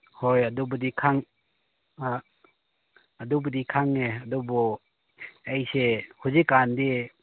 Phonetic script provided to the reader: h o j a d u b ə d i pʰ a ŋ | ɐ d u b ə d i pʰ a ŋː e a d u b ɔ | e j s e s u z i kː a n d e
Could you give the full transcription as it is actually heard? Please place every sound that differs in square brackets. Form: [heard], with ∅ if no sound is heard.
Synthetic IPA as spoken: h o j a d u b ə d i [kʰ] a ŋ | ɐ d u b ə d i [kʰ] a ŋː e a d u b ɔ | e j s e [h] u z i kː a n d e